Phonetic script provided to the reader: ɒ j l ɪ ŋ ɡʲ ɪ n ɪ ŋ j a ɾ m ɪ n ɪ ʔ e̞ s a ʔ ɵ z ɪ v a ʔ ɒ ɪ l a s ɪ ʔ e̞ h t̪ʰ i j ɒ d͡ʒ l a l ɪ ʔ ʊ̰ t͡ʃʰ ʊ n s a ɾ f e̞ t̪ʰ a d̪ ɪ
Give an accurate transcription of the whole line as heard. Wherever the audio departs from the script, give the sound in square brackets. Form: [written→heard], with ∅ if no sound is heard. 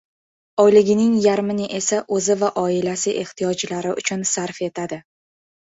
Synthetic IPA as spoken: ɒ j l ɪ [ŋ→∅] ɡʲ ɪ n ɪ ŋ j a ɾ m ɪ n ɪ ʔ e̞ s a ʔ ɵ z ɪ v a ʔ ɒ ɪ l a s ɪ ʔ e̞ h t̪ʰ i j ɒ d͡ʒ l a [l→ɾ] ɪ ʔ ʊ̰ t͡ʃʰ ʊ n s a ɾ f e̞ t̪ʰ a d̪ ɪ

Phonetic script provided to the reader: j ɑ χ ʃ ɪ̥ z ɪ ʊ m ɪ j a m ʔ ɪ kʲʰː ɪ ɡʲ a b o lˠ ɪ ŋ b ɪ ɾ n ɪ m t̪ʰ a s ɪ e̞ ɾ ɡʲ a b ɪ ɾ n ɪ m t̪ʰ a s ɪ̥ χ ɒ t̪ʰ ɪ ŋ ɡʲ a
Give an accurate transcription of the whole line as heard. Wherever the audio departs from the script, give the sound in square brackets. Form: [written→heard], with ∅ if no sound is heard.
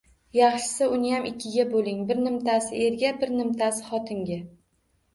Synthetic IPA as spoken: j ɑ χ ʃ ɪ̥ [z→s] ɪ ʊ [m→n] ɪ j a m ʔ ɪ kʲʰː ɪ ɡʲ a b o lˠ ɪ ŋ b ɪ ɾ n ɪ m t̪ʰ a s ɪ e̞ ɾ ɡʲ a b ɪ ɾ n ɪ m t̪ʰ a s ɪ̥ χ ɒ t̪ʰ ɪ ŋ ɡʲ a

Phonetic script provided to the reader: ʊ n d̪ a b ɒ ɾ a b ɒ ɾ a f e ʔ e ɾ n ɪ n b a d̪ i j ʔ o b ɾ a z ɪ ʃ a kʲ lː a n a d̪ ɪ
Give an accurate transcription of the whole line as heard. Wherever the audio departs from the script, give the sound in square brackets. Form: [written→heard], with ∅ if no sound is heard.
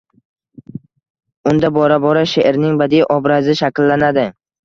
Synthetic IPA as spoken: ʊ n d̪ a b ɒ ɾ a b ɒ ɾ a [f→ʃ] e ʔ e ɾ n ɪ [n→ŋ] b a d̪ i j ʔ [o→ɒ] b ɾ a z ɪ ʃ a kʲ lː a n a d̪ ɪ

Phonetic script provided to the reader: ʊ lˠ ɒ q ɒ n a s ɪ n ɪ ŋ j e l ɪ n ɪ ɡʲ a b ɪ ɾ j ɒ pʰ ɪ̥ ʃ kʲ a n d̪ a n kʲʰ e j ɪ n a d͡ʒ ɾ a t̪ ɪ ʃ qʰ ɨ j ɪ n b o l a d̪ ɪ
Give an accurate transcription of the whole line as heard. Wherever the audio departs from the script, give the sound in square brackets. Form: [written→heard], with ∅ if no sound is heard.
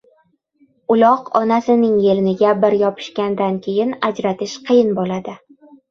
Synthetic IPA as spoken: ʊ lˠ ɒ q ɒ n a s ɪ n ɪ ŋ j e l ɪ n ɪ ɡʲ a b ɪ ɾ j ɒ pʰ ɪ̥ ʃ kʲ a n d̪ a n kʲʰ e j ɪ n a d͡ʒ ɾ a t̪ ɪ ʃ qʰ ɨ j ɪ n b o l a d̪ ɪ

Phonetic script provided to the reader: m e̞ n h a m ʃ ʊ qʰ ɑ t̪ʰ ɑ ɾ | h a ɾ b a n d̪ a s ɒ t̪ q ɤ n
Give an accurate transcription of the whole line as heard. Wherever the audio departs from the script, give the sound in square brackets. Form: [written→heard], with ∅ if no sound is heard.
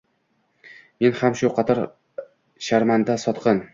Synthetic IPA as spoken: m e̞ n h a m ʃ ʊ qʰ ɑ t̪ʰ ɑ ɾ | [h→ʃ] a ɾ [b→m] a n d̪ a s ɒ t̪ q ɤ n

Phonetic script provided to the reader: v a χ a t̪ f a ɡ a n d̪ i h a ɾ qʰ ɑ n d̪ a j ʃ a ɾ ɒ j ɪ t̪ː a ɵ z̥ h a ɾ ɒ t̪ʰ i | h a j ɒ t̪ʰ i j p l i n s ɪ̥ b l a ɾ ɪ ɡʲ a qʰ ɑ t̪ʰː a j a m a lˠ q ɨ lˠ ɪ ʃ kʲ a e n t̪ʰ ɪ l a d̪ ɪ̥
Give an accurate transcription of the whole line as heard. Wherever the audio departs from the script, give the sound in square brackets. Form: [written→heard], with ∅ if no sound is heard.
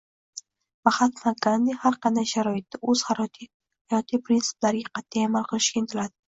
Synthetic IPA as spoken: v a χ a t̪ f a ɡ a n d̪ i h a ɾ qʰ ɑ n d̪ a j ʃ a ɾ ɒ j ɪ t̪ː a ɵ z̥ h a ɾ ɒ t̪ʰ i | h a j ɒ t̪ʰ i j p [l→ɾ] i n s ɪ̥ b l a ɾ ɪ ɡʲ a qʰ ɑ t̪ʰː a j a m a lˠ q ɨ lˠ ɪ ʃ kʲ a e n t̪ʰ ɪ l a d̪ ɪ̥

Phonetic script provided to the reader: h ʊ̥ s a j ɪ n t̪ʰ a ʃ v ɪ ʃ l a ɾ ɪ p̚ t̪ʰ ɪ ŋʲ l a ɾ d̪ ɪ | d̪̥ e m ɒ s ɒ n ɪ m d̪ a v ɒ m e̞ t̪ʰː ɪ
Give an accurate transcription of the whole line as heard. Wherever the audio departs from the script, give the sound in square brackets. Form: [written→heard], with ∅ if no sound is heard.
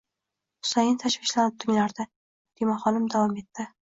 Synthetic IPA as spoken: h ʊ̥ s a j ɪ n t̪ʰ a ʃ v ɪ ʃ l a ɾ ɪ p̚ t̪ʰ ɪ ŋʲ l a ɾ d̪ ɪ | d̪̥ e m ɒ [s→χ] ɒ n ɪ m d̪ a v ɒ m e̞ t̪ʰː ɪ

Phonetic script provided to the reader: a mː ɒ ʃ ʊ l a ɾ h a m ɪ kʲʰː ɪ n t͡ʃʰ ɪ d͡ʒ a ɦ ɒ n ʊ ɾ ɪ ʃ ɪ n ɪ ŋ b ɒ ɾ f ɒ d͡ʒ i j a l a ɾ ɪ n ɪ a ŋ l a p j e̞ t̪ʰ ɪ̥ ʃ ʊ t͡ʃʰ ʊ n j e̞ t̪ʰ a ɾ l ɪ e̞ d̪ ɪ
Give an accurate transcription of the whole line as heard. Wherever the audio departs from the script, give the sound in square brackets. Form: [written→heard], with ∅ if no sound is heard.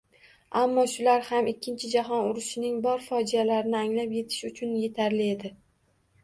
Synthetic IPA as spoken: a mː ɒ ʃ ʊ l a ɾ h a m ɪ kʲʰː ɪ n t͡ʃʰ ɪ d͡ʒ a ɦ ɒ n ʊ ɾ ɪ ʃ ɪ n ɪ ŋ b ɒ ɾ f ɒ d͡ʒ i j a l a ɾ ɪ n ɪ a ŋ l a p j e̞ t̪ʰ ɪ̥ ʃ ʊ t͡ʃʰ ʊ n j e̞ t̪ʰ a ɾ l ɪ e̞ d̪ ɪ

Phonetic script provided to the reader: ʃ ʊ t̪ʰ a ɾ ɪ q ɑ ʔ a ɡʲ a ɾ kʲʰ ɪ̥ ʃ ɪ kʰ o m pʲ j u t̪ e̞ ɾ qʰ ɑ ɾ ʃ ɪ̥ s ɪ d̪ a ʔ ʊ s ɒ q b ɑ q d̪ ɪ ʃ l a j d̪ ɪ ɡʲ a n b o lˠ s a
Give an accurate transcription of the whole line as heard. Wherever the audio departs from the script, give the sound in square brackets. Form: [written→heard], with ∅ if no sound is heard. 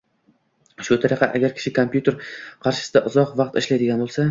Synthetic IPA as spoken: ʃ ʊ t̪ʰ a ɾ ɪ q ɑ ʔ a ɡʲ a ɾ kʲʰ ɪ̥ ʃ ɪ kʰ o m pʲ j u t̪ e̞ ɾ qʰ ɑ ɾ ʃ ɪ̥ s ɪ d̪ a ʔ ʊ [s→z] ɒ q [b→v] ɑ q [d̪→t̪] ɪ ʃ l a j d̪ ɪ ɡʲ a n b o lˠ s a

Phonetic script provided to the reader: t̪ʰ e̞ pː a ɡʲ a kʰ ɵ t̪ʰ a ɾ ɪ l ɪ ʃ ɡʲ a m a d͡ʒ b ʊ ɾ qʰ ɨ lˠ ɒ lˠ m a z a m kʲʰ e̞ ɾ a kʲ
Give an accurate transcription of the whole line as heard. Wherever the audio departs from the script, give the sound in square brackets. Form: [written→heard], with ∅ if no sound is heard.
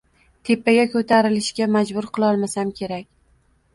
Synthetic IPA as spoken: t̪ʰ e̞ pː a ɡʲ a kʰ ɵ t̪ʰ a ɾ ɪ l ɪ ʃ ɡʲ a m a d͡ʒ b ʊ ɾ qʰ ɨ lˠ ɒ lˠ m a [z→s] a m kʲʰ e̞ ɾ a kʲ

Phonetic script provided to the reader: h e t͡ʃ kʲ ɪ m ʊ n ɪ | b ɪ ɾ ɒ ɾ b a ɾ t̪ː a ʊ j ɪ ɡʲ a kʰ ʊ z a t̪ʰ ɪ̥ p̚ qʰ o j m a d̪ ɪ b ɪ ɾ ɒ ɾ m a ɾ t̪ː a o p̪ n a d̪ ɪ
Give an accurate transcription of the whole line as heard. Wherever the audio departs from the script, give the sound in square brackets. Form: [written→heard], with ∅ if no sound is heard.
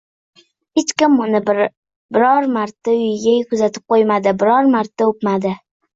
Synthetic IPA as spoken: h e t͡ʃ kʲ ɪ m ʊ n ɪ | b ɪ ɾ ɒ ɾ [b→m] a ɾ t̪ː a ʊ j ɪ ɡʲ a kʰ ʊ z a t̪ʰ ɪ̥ p̚ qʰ o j m a d̪ ɪ b ɪ ɾ ɒ ɾ m a ɾ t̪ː a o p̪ [n→m] a d̪ ɪ

